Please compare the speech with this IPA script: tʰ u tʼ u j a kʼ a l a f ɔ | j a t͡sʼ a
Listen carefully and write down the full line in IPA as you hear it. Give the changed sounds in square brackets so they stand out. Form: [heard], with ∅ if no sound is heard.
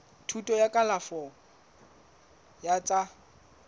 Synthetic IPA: tʰ u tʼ [ɔ] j a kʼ a l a f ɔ | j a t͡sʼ a